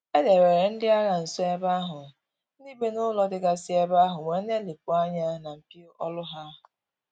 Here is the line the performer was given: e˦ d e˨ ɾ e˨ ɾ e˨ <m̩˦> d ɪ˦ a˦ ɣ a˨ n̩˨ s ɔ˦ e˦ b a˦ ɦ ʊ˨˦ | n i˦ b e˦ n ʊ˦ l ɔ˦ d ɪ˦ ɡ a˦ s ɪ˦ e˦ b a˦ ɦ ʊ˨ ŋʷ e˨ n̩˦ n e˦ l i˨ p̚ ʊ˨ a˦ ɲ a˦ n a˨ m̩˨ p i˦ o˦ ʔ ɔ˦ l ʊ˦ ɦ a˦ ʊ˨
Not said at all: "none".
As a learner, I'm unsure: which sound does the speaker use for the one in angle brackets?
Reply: n̩˦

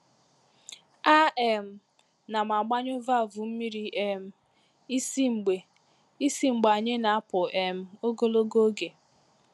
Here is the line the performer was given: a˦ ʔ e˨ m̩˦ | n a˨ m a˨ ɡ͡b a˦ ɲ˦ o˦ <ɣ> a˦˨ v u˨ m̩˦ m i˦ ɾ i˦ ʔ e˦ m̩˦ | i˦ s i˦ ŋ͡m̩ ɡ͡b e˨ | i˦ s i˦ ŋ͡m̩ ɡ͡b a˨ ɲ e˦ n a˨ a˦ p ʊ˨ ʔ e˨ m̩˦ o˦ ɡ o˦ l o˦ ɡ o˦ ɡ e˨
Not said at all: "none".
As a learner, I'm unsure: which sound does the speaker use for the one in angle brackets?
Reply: v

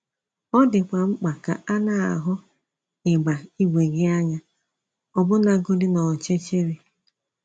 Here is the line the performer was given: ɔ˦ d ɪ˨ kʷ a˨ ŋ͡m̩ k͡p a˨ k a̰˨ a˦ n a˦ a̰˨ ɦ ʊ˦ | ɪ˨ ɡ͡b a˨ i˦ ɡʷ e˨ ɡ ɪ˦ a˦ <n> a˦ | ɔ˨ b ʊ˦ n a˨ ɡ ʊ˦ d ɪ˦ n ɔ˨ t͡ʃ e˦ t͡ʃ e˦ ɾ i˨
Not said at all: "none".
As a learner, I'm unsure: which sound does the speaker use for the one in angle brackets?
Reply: ɲ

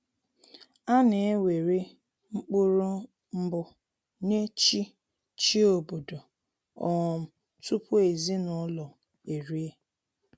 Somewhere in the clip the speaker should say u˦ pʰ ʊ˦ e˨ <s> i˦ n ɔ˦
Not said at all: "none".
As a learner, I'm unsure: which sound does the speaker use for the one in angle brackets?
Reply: z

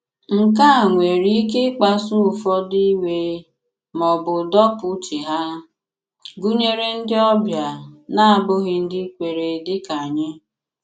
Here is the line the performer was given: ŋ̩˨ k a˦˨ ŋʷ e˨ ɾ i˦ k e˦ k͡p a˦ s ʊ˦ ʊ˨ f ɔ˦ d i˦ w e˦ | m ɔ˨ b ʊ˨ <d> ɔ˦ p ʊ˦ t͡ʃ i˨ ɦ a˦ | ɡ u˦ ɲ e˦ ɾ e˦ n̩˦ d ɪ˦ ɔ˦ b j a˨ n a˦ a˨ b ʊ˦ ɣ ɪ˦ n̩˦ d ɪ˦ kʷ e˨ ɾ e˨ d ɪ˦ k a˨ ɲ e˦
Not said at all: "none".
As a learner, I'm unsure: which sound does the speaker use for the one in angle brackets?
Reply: d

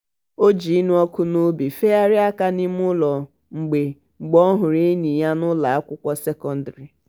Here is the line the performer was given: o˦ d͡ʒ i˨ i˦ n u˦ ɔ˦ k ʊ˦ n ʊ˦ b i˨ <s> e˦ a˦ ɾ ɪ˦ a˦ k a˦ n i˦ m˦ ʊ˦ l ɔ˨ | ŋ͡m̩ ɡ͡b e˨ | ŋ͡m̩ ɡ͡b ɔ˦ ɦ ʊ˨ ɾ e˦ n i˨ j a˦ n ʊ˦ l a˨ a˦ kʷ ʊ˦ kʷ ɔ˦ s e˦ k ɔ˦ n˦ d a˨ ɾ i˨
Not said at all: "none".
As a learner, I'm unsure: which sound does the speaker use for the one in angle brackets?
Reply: f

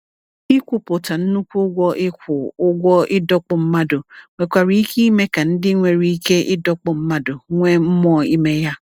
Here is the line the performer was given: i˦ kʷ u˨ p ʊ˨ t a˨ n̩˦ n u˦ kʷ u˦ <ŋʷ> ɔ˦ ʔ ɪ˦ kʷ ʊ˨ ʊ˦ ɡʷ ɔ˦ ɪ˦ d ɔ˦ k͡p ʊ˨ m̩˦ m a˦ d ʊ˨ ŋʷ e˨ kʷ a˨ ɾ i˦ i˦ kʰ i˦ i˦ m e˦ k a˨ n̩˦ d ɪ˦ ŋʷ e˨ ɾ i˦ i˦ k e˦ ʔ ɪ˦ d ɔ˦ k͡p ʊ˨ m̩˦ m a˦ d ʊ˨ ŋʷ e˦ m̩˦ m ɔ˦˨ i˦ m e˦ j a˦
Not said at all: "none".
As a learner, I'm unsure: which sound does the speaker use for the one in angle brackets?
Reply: ɡʷ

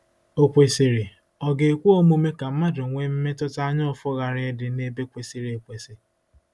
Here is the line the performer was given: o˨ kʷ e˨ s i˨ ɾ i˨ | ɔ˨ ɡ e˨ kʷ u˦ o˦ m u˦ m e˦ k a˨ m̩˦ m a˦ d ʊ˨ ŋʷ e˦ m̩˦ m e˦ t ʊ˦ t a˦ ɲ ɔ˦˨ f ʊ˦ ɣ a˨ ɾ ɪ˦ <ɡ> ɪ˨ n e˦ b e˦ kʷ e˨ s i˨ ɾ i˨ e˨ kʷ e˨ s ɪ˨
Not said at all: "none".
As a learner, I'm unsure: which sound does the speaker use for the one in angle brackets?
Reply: d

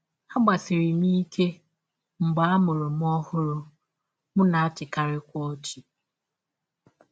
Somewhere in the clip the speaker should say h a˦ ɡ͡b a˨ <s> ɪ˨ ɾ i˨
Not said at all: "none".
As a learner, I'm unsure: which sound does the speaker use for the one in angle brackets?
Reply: s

